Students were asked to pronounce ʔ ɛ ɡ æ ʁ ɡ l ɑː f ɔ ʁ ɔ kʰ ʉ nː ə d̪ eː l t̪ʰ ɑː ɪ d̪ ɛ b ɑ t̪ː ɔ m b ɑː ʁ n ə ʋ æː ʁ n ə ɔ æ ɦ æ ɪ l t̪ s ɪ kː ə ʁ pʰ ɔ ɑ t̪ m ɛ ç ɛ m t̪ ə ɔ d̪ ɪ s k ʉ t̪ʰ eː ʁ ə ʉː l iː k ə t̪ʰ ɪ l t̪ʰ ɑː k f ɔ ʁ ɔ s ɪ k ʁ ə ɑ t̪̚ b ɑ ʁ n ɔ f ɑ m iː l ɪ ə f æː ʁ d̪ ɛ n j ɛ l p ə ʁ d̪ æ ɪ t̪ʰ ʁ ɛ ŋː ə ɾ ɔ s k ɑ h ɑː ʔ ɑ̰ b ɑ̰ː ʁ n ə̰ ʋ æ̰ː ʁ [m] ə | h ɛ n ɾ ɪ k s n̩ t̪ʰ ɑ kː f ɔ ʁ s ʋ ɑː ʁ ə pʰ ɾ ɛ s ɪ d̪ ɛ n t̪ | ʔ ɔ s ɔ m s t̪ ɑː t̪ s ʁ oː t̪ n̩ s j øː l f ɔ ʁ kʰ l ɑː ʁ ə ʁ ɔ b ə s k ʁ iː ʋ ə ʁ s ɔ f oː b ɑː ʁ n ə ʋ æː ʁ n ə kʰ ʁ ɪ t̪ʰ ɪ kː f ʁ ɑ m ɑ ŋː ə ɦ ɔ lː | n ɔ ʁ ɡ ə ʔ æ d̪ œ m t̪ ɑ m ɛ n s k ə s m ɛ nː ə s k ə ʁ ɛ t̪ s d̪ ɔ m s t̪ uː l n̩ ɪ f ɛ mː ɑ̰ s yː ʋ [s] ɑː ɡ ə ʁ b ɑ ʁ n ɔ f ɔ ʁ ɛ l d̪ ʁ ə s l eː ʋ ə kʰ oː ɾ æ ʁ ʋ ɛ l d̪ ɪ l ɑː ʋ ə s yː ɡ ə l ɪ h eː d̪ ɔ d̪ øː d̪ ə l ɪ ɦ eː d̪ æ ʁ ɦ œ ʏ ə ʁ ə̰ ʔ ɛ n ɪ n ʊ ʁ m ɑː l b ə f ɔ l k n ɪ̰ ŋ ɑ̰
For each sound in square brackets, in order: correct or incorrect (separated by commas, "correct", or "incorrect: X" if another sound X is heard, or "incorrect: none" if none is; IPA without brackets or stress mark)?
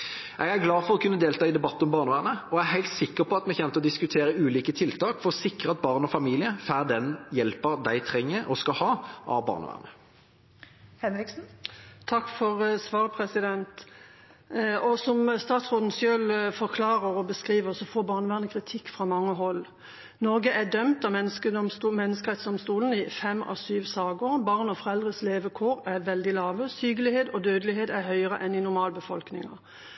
incorrect: n, correct